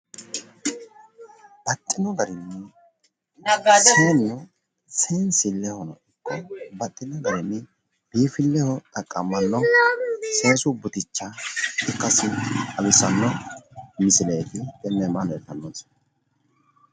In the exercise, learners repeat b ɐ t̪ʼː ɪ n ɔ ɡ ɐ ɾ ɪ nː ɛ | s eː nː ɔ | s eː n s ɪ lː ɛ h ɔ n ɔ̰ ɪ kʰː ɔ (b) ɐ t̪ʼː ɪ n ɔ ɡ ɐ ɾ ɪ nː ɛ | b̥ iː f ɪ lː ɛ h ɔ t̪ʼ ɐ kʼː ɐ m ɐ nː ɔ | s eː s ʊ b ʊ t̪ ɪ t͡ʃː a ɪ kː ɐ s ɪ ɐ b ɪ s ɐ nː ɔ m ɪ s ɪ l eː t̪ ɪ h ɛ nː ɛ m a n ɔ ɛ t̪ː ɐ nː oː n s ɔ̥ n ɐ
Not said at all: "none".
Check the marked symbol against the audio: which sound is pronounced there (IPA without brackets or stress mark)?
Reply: b